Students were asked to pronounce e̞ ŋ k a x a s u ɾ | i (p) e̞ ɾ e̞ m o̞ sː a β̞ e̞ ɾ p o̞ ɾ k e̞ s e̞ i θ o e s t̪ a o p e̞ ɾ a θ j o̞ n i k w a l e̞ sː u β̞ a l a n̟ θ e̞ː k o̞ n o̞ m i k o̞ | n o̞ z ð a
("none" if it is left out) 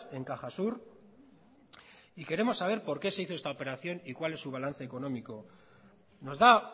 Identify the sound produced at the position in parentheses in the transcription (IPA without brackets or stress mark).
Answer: k